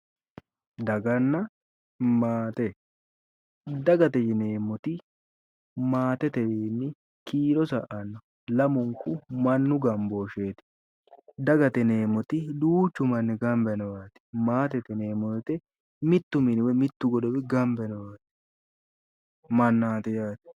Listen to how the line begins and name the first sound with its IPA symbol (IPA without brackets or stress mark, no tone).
d̪